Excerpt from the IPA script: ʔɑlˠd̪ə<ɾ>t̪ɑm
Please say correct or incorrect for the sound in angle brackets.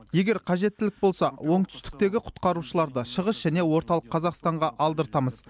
correct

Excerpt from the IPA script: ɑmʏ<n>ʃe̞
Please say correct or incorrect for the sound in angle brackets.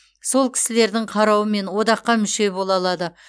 incorrect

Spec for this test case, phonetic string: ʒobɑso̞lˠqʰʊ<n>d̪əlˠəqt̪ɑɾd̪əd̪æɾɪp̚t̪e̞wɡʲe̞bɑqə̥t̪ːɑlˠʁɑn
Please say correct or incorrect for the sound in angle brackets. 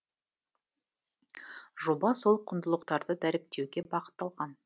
correct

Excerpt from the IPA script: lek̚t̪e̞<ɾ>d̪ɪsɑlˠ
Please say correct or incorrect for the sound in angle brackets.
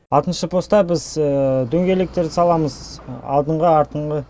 correct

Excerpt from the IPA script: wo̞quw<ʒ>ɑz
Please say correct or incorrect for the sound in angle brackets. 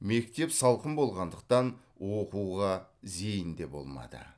incorrect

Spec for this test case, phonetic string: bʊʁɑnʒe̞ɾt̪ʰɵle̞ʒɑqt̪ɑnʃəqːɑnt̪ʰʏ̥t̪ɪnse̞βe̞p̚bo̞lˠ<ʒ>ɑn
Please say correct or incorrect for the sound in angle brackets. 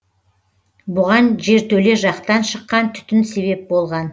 incorrect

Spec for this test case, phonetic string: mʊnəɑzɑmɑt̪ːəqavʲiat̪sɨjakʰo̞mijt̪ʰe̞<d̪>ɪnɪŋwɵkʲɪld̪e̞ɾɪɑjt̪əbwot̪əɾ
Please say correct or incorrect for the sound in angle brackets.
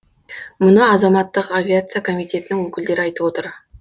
incorrect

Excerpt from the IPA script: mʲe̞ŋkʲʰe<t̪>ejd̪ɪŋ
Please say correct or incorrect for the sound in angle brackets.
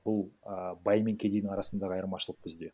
incorrect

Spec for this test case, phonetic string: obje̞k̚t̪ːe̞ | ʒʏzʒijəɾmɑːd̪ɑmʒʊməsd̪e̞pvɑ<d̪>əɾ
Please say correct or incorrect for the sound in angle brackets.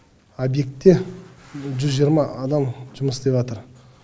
incorrect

